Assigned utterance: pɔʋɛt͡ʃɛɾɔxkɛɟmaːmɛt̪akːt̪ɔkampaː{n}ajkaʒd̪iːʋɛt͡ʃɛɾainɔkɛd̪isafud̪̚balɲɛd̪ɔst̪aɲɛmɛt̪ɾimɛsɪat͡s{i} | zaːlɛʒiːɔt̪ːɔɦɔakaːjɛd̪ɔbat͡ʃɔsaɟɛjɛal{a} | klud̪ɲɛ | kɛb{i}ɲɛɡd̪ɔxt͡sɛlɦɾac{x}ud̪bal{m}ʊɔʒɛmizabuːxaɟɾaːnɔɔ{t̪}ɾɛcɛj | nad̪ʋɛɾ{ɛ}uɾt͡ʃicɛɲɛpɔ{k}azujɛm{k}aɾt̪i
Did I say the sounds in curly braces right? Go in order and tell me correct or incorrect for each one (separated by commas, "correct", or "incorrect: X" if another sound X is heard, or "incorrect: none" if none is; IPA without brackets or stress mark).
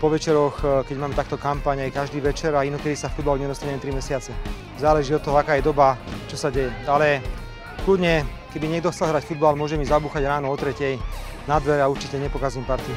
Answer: incorrect: ɲ, incorrect: ɛ, incorrect: ɛ, correct, incorrect: f, correct, correct, incorrect: a, correct, incorrect: p